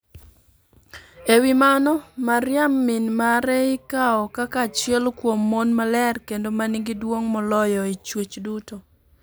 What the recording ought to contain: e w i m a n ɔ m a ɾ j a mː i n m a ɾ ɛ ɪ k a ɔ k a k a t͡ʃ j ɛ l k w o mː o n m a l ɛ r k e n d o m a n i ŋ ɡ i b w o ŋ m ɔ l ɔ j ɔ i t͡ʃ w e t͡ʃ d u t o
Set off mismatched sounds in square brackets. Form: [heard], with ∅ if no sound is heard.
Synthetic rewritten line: e w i m a n ɔ m a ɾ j a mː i n m a ɾ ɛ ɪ k a ɔ k a k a t͡ʃ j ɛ l k w o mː o n m a l ɛ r k e n d o m a n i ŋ ɡ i [d] w o ŋ m ɔ l ɔ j ɔ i t͡ʃ w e t͡ʃ d u t o